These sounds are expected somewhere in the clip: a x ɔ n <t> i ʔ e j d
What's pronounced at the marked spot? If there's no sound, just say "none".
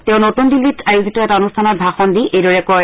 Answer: d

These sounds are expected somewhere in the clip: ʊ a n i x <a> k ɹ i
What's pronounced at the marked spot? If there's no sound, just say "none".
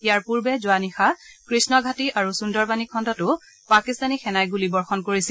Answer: a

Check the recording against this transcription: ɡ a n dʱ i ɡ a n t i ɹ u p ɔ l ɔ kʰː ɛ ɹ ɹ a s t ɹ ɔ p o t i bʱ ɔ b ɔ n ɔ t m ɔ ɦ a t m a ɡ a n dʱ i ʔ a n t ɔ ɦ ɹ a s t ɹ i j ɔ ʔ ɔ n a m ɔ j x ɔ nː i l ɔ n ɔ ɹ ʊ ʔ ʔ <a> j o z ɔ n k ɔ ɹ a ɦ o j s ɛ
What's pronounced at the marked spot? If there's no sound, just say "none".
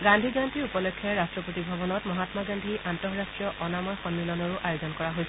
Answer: a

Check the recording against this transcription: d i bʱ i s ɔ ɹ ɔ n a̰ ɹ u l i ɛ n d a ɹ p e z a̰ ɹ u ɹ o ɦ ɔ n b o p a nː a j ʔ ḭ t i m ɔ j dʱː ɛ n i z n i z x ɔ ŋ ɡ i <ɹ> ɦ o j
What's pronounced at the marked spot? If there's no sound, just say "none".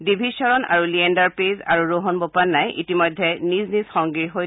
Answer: ɹ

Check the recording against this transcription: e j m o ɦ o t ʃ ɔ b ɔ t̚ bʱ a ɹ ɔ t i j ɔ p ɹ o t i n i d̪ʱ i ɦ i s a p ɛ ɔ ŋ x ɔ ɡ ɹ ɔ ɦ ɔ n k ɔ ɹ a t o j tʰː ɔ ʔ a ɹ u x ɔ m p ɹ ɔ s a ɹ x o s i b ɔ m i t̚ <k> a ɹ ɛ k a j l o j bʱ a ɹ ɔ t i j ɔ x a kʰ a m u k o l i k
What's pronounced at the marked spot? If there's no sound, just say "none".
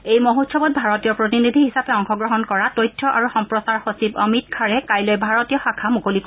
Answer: kʰ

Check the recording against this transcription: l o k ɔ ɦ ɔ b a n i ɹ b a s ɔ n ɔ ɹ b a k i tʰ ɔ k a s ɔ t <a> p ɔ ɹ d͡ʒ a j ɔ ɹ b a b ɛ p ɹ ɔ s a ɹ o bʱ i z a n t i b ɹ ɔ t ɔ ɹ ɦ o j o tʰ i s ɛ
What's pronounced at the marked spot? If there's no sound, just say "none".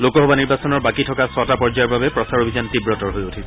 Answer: a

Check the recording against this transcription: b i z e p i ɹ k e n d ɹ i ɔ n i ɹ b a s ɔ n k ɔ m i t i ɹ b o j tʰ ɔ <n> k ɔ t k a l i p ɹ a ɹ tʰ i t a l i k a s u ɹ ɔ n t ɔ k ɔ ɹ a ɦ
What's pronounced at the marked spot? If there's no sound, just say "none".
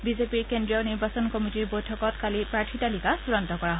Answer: none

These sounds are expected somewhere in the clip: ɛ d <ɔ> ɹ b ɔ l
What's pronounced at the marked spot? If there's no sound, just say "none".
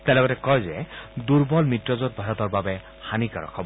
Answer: u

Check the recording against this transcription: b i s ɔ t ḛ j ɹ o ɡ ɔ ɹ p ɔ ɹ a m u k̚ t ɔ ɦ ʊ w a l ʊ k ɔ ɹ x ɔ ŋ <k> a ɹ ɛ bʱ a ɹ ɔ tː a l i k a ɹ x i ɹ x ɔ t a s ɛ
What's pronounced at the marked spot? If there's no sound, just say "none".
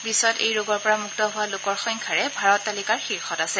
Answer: kʰ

